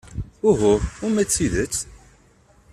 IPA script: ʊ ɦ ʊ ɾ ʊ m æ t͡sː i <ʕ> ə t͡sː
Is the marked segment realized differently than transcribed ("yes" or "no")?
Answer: yes